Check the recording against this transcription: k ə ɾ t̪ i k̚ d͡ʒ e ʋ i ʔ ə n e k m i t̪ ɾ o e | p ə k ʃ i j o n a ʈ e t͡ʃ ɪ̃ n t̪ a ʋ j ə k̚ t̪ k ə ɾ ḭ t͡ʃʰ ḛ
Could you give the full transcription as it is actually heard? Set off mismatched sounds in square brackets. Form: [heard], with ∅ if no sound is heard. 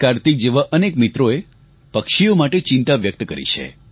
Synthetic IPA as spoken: k [a] ɾ t̪ i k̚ d͡ʒ e ʋ [a] ʔ ə n e k m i t̪ ɾ o e | p ə k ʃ i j o [m] a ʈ e t͡ʃ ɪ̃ n t̪ a ʋ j ə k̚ t̪ k ə ɾ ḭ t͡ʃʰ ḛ